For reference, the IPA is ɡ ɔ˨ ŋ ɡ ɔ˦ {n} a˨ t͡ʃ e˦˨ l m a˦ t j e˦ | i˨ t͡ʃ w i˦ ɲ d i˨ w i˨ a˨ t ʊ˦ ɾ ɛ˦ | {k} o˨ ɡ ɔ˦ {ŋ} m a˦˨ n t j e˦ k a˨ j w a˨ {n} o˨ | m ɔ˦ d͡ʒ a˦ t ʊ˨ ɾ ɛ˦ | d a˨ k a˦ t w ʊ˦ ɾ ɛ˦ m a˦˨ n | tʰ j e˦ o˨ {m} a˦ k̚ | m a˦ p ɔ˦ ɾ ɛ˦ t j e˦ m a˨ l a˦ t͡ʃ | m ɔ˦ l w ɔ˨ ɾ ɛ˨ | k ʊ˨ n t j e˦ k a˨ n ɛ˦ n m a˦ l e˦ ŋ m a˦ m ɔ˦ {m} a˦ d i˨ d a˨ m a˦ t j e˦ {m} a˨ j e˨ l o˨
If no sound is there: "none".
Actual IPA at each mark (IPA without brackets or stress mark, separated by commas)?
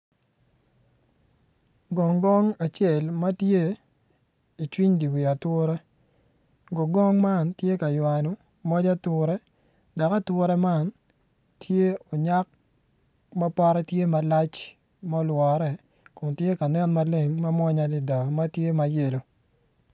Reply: ŋ, ɡ, ŋ, n, ɲ, ɲ, m